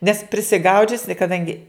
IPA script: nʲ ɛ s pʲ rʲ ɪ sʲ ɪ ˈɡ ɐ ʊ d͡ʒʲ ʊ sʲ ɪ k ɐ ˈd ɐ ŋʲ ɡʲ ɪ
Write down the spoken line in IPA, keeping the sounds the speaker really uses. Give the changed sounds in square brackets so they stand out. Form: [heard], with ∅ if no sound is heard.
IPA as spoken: nʲ ɛ s pʲ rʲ ɪ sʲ ɪ ˈɡ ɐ ʊ d͡ʒʲ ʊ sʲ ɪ k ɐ ˈd ɐ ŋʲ ɡʲ ɪ